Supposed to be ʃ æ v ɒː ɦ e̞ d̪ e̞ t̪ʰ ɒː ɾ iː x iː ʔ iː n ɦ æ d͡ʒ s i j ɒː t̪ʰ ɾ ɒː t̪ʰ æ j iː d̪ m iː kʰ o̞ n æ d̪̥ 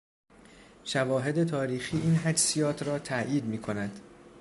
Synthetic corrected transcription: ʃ æ v ɒː ɦ e̞ d̪ e̞ t̪ʰ ɒː ɾ iː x iː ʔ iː n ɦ æ d͡ʒ s i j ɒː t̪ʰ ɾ ɒː t̪ʰ æ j iː d̪ m iː kʰ o̞ n æ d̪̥